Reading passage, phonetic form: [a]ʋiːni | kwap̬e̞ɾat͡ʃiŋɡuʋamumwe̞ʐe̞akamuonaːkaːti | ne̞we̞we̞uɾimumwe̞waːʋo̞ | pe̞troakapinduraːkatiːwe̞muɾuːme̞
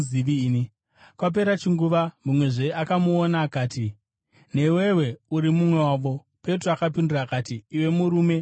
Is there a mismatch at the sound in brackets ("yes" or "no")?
yes